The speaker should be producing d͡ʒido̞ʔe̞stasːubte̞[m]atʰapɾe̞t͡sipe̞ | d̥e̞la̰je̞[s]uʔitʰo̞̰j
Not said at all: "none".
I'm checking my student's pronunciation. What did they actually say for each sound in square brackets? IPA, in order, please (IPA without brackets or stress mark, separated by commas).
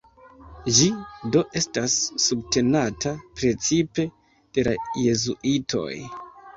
n, z